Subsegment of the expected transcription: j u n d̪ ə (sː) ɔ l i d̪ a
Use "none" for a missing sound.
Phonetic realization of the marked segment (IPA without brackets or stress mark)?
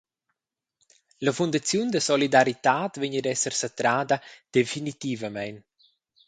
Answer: s